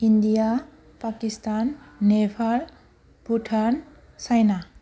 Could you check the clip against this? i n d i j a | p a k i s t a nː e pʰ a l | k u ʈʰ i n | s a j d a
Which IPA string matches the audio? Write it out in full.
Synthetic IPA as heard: i n d i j a | p a k i s t a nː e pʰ a l | p u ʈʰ a n | s a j n a